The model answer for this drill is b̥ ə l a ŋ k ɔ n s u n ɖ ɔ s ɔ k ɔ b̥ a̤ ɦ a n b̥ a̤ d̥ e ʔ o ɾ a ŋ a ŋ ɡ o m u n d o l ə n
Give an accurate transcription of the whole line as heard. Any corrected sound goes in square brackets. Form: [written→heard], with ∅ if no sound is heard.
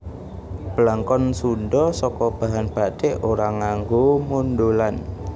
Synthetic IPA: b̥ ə l a ŋ k ɔ n s u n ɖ ɔ s ɔ k ɔ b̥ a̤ ɦ a n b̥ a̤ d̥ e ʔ o ɾ a ŋ a ŋ ɡ o m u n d o l [ə→a] n